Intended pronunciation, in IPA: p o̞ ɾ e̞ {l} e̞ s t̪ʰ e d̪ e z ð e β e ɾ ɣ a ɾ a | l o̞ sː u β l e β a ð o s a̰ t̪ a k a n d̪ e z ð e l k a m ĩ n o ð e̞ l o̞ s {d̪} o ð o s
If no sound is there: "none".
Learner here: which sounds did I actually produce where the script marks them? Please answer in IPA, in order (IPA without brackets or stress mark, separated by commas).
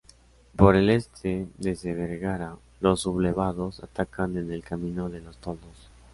l, t̪